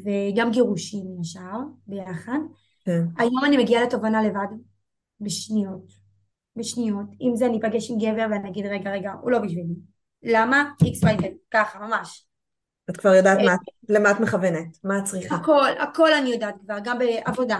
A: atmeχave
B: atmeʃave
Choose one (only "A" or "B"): A